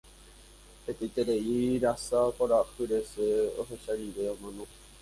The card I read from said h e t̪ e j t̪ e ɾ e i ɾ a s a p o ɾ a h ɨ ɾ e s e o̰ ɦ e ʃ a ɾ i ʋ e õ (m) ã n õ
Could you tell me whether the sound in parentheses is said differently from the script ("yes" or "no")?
no